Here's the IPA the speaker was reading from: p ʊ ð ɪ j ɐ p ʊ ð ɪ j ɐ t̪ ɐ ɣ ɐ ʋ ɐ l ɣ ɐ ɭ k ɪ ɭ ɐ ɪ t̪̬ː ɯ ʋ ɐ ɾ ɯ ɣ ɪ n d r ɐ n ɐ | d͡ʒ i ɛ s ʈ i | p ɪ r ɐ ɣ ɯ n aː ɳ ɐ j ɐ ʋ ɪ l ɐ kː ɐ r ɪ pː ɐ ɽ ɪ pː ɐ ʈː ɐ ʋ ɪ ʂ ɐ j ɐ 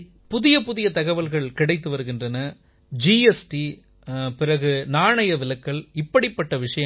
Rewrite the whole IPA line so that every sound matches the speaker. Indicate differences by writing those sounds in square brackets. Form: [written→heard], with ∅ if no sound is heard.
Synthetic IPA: p ʊ ð ɪ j ɐ p ʊ ð ɪ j ɐ t̪ ɐ ɣ ɐ ʋ ɐ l ɣ ɐ ɭ k ɪ [ɭ→ɽ] ɐ ɪ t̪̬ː ɯ ʋ ɐ ɾ ɯ ɣ ɪ n d r ɐ n ɐ | d͡ʒ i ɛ s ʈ i | p ɪ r ɐ ɣ ɯ n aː ɳ ɐ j ɐ ʋ ɪ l ɐ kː ɐ [r→ɭ] ɪ pː ɐ ɽ ɪ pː ɐ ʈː ɐ ʋ ɪ ʂ ɐ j ɐ